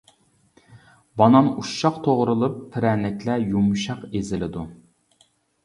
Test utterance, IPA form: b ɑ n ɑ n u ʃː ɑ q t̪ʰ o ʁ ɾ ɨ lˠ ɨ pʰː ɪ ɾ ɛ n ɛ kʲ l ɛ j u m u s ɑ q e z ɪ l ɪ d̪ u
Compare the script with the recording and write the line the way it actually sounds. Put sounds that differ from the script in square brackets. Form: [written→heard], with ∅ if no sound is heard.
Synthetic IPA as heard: b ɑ n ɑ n u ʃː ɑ q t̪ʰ o ʁ ɾ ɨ lˠ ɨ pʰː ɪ ɾ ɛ n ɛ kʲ l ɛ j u m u [s→ʃ] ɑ q e z ɪ l ɪ d̪ u

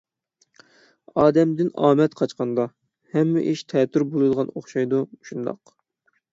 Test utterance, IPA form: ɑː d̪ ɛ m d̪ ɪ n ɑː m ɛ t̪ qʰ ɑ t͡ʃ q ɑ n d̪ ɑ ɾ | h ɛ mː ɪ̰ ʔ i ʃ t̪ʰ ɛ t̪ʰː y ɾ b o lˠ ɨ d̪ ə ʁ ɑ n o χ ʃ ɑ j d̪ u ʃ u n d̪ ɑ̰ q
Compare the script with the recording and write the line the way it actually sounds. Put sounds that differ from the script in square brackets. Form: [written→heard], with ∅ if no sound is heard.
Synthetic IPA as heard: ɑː d̪ ɛ m d̪ ɪ n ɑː m ɛ t̪ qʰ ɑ t͡ʃ q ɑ n d̪ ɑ [ɾ→∅] | h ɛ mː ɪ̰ ʔ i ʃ t̪ʰ ɛ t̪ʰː y ɾ b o lˠ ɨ d̪ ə ʁ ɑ n o χ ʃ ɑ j d̪ u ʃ u n d̪ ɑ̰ q

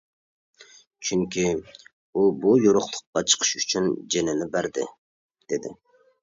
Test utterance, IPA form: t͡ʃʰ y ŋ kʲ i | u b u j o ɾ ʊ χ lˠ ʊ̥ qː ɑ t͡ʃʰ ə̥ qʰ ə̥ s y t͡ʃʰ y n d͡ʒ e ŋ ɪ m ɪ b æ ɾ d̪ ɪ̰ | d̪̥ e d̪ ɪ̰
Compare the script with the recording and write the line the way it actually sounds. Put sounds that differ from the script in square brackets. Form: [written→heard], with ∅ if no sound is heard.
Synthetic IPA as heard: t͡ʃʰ y ŋ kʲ i | u b u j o ɾ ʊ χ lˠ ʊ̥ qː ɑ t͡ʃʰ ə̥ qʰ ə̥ [s→ʃ] y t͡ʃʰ y n d͡ʒ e [ŋ→n] ɪ [m→n] ɪ b æ ɾ d̪ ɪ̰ | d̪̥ e d̪ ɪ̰

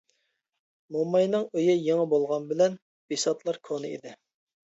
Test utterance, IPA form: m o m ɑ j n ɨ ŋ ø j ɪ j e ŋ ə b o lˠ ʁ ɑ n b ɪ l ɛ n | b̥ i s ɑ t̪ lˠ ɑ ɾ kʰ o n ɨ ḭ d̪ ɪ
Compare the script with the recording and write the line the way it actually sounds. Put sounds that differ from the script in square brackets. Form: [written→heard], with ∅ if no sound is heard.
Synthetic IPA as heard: m o m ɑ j n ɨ ŋ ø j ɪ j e ŋ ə b o lˠ ʁ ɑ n b ɪ l ɛ n | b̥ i s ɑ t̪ lˠ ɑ ɾ kʰ o n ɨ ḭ d̪ ɪ

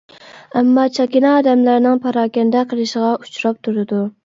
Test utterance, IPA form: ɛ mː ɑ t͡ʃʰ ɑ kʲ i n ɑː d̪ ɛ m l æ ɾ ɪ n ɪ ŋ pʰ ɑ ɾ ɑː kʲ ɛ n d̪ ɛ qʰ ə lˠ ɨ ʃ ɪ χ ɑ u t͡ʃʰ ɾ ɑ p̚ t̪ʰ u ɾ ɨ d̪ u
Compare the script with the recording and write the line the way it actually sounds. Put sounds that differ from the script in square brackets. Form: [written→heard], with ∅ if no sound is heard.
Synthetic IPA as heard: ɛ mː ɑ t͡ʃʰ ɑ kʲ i n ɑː d̪ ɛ m l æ ɾ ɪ n ɪ ŋ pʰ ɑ ɾ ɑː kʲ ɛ n d̪ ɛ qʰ ə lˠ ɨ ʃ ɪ [χ→ʁ] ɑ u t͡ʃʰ ɾ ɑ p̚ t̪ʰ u ɾ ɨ d̪ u

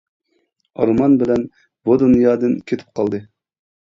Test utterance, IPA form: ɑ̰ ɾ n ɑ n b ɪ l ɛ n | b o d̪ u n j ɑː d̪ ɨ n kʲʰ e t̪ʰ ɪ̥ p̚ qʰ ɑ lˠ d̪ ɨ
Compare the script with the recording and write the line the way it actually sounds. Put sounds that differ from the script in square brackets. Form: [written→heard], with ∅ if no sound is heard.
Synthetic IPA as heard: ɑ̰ ɾ [n→m] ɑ n b ɪ l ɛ n | b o d̪ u n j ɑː d̪ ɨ n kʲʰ e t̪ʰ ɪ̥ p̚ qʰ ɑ lˠ d̪ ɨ

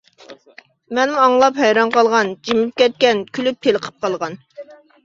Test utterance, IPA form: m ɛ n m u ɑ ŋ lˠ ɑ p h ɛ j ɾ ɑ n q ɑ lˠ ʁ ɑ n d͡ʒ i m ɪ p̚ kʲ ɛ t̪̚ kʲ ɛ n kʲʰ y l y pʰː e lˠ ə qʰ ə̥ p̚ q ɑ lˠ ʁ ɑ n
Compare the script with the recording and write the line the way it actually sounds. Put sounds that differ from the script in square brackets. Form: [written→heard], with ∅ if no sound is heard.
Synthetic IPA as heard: m ɛ n m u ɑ ŋ lˠ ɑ p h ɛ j ɾ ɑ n q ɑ lˠ ʁ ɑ n d͡ʒ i m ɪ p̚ kʲ ɛ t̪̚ kʲ ɛ n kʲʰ y l y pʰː e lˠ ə qʰ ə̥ p̚ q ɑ lˠ ʁ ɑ n

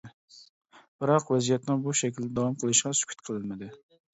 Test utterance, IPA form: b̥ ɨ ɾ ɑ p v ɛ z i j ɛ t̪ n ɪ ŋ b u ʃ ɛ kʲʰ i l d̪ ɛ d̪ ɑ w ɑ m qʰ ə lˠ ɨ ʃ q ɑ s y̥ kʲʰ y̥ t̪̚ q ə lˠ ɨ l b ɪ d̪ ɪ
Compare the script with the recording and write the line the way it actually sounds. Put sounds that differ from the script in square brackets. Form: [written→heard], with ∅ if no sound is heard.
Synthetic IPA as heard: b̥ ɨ ɾ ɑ [p→q] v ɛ z i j ɛ t̪ n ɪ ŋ b u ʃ ɛ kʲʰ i l d̪ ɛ d̪ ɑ w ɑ m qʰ ə lˠ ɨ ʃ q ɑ s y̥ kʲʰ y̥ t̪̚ [q→qʰ] ə lˠ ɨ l [b→m] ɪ d̪ ɪ

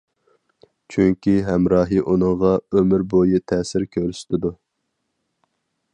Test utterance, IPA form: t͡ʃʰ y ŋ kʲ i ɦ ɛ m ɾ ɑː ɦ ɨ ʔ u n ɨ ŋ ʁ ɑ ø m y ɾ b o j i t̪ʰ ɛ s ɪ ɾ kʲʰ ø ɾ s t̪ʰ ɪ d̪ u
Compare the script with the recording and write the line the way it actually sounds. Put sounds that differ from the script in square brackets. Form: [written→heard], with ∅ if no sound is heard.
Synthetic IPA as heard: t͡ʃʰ y ŋ kʲ i ɦ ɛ m ɾ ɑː ɦ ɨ ʔ u n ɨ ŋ ʁ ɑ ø m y ɾ b o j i t̪ʰ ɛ s ɪ ɾ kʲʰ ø ɾ s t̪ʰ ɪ d̪ u

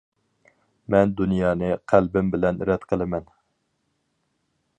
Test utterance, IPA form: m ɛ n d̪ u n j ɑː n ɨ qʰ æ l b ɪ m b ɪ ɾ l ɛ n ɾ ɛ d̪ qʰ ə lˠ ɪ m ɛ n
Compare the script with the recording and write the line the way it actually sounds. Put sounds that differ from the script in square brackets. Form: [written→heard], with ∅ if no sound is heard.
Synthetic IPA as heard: m ɛ n d̪ u n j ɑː n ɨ qʰ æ l b ɪ m b ɪ [ɾ→∅] l ɛ n ɾ ɛ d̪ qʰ ə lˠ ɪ m ɛ n

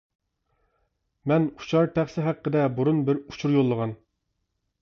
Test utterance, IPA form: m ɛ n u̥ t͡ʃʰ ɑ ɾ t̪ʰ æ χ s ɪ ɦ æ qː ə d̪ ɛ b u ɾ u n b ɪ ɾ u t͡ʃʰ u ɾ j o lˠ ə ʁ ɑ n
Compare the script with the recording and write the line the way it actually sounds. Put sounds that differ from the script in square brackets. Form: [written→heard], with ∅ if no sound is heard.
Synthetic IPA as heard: m ɛ n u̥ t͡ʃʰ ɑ ɾ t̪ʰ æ χ s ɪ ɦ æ qː ə d̪ ɛ b u ɾ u n b ɪ ɾ u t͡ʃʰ u ɾ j o [lˠ→lˠː] ə ʁ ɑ n

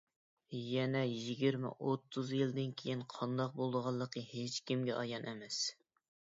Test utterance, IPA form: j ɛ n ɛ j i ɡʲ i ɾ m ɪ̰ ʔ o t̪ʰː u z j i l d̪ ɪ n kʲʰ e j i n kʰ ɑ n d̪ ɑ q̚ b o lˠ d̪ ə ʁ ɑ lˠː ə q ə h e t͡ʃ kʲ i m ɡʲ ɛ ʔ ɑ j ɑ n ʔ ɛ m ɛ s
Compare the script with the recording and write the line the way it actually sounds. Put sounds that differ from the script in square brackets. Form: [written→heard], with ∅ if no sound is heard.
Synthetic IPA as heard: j ɛ n ɛ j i ɡʲ i ɾ m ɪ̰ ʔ o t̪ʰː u z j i l d̪ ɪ n kʲʰ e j i n [kʰ→qʰ] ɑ n d̪ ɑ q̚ b o lˠ d̪ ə ʁ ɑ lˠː ə q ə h e t͡ʃ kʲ i m ɡʲ ɛ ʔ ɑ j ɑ n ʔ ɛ m ɛ s

